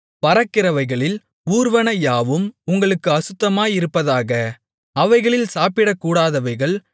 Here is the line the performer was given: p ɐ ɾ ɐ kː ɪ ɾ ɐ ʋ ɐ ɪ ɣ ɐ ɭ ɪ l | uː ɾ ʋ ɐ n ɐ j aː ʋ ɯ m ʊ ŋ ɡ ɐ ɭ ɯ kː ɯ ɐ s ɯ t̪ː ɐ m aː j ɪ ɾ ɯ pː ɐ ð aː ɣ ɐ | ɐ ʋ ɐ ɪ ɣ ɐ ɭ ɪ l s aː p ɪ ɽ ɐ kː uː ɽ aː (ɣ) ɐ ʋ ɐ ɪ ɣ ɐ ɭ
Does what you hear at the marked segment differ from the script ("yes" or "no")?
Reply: yes